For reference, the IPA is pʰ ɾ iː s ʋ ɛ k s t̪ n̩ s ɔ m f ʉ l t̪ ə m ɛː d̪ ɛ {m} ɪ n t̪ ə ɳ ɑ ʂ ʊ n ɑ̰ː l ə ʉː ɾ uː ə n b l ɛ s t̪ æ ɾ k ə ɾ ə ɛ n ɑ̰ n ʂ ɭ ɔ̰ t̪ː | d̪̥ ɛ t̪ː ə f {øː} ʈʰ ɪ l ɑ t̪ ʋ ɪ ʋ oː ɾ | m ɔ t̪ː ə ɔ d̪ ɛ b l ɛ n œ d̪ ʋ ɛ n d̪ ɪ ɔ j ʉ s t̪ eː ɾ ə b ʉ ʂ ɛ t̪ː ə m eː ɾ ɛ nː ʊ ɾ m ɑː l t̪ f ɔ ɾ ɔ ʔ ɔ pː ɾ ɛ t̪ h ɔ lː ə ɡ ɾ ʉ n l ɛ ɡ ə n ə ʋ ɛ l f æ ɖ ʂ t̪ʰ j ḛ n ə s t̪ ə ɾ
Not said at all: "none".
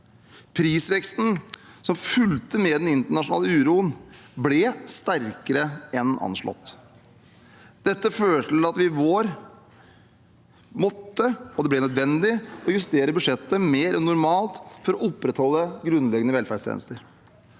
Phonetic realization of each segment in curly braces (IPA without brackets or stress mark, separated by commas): n, øː